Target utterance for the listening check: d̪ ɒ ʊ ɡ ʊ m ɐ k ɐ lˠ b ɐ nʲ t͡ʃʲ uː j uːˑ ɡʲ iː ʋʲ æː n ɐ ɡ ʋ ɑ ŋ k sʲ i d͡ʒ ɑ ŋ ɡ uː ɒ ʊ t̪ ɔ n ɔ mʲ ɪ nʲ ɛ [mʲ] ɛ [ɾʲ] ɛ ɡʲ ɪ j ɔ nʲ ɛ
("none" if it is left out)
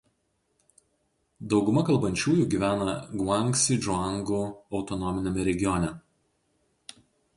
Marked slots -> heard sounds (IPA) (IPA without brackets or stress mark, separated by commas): mʲ, ɾʲ